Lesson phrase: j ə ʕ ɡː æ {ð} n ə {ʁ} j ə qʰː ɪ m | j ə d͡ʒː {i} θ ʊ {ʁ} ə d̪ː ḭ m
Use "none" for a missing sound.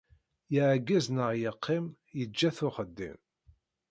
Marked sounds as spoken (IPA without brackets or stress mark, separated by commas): z, ʁ, æ, χ